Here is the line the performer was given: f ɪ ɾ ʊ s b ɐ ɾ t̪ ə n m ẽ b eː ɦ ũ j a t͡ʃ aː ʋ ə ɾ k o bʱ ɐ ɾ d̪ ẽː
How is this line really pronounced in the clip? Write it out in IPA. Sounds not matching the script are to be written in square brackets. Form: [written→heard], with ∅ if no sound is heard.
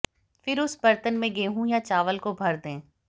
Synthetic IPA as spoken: f ɪ ɾ ʊ s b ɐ ɾ t̪ ə n m ẽ [b→ɡ] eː ɦ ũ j a t͡ʃ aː ʋ ə [ɾ→l] k o bʱ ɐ ɾ d̪ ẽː

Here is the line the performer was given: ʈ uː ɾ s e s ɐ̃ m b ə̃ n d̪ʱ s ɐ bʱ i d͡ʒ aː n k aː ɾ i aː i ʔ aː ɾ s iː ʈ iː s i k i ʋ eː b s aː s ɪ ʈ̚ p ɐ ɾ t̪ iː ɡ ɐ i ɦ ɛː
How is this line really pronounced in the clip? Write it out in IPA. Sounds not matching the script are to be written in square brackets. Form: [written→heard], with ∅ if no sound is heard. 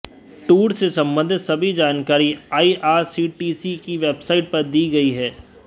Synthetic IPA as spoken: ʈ uː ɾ s e s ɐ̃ m b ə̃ n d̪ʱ s ɐ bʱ i d͡ʒ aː n k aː ɾ i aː i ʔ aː ɾ s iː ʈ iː s i k i ʋ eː b s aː [s→∅] ɪ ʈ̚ p ɐ ɾ [t̪→d̪] iː ɡ ɐ i ɦ ɛː

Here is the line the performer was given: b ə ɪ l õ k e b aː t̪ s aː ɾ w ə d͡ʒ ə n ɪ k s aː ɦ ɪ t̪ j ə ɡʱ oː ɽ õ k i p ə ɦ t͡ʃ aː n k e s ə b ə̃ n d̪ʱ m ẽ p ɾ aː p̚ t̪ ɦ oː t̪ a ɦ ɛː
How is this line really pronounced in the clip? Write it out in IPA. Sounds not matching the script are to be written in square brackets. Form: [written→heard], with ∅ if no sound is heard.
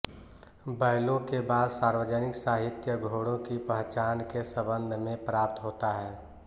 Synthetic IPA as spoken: b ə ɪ l õ k e b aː [t̪→d̪] s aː ɾ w ə d͡ʒ ə n ɪ k s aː ɦ ɪ t̪ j ə ɡʱ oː ɽ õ k i p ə ɦ t͡ʃ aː n k e s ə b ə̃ n d̪ʱ m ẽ p ɾ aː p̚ t̪ ɦ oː t̪ a ɦ ɛː

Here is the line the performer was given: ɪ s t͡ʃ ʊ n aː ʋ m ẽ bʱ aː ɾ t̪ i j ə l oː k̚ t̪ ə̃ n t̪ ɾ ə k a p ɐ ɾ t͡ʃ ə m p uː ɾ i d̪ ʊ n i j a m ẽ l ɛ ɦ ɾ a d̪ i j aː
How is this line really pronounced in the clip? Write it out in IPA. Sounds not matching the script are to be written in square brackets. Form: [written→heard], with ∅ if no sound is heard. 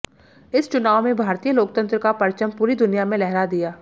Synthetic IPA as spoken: ɪ s t͡ʃ ʊ n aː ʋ m ẽ bʱ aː ɾ t̪ i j ə l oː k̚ t̪ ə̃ n t̪ ɾ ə k a p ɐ ɾ t͡ʃ ə m p uː ɾ i d̪ ʊ n i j a m ẽ l ɛ ɦ ɾ a d̪ i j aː

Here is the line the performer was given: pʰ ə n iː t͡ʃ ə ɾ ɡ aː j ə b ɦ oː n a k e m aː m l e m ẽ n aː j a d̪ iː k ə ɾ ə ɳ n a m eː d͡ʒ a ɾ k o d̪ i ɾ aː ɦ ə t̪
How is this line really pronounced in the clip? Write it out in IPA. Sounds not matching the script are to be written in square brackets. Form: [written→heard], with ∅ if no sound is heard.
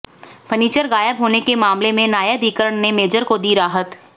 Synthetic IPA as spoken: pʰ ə n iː t͡ʃ ə ɾ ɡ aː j ə b ɦ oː n [a→e] k e m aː m l e m ẽ n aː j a d̪ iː k ə ɾ ə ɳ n [a→e] m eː d͡ʒ [a→ə] ɾ k o d̪ i ɾ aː ɦ ə t̪

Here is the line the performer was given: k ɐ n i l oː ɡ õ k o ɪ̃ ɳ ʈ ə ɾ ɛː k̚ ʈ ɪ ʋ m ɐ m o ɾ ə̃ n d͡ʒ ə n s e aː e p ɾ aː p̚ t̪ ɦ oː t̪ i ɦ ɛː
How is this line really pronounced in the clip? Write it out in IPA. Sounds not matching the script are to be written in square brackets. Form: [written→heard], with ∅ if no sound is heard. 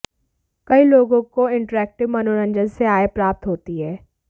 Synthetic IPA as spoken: k ɐ [n→∅] i l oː ɡ õ k o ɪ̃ ɳ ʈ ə ɾ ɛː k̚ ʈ ɪ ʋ m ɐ [m→n] o ɾ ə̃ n d͡ʒ ə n s e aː e p ɾ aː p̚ t̪ ɦ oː t̪ i ɦ ɛː

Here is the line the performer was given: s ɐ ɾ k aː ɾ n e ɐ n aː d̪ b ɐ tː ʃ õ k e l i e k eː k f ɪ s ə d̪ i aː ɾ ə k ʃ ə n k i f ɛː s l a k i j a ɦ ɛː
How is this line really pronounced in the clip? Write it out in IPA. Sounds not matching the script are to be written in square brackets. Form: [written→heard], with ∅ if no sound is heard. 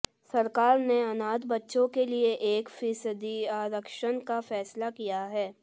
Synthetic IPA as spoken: s ɐ ɾ k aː ɾ n e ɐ n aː d̪ b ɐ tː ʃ õ k e l i e [k→ʔ] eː k f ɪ s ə d̪ i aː ɾ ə k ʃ ə n k [i→a] f ɛː s l a k i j a ɦ ɛː

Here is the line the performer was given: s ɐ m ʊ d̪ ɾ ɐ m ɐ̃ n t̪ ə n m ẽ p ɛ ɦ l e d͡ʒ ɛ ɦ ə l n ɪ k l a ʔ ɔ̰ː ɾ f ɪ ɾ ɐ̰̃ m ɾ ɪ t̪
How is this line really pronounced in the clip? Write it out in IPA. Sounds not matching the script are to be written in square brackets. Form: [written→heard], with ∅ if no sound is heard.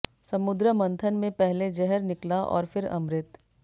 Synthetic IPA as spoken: s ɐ m ʊ d̪ ɾ [ɐ→ə] m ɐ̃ n [t̪→t̪ʰ] ə n m ẽ p ɛ ɦ l e d͡ʒ ɛ ɦ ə [l→ɾ] n ɪ k l a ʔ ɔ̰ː ɾ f ɪ ɾ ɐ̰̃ m ɾ ɪ t̪

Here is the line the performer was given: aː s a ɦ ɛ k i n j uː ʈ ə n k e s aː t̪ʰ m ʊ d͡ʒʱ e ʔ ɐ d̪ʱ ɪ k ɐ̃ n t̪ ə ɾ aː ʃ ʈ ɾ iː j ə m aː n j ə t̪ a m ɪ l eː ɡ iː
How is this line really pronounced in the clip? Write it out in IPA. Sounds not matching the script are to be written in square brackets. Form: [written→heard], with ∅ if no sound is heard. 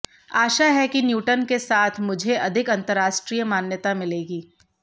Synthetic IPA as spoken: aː [s→ʃ] a ɦ ɛ k i n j uː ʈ ə n k e s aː t̪ʰ m ʊ d͡ʒʱ e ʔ ɐ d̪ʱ ɪ k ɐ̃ n t̪ ə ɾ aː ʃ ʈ ɾ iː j ə m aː n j ə t̪ a m ɪ l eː ɡ iː

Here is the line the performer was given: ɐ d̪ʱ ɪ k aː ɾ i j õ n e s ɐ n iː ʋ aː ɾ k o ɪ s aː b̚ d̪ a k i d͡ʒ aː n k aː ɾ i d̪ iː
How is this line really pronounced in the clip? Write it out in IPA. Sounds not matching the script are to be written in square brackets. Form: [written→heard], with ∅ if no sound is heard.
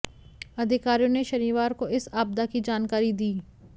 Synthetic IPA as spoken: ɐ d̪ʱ ɪ k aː ɾ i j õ n e [s→ʃ] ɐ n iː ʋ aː ɾ k o ɪ s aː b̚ d̪ a k i d͡ʒ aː n k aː ɾ i d̪ iː

